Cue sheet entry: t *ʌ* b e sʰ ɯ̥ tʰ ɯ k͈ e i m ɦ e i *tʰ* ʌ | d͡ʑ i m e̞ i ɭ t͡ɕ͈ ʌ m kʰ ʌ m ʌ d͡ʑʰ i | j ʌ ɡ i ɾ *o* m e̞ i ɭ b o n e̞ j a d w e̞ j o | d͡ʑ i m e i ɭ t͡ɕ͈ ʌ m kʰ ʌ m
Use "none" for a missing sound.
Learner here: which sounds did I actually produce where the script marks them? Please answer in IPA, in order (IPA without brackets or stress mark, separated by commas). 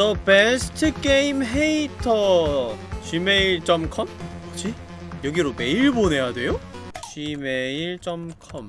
ʌ, tʰ, o